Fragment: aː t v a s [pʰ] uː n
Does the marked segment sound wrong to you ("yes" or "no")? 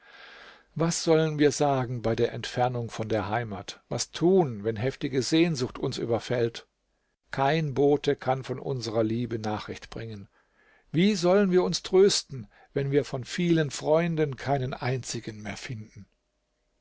yes